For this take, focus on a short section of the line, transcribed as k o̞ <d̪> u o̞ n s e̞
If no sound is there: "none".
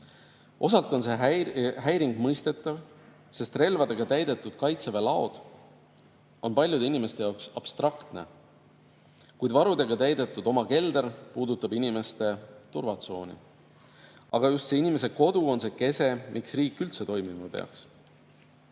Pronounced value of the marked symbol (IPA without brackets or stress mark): d̪